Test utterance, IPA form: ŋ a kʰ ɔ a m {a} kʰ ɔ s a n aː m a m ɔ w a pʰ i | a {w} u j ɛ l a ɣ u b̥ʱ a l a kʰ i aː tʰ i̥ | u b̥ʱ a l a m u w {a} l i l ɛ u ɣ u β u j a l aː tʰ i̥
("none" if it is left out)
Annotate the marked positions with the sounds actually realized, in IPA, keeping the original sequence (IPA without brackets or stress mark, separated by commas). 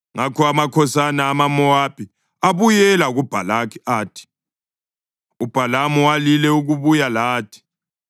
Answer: a, β, a